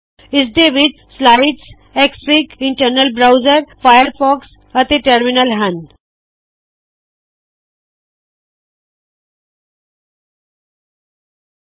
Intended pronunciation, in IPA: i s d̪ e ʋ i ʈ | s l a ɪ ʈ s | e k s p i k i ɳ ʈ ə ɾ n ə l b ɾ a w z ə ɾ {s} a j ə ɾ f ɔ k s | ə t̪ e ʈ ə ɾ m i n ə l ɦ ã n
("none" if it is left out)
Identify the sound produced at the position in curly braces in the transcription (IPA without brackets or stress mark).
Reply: f